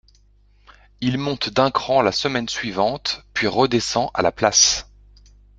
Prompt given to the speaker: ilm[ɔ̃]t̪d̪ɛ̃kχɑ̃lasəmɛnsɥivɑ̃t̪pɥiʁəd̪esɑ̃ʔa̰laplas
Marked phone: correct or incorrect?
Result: correct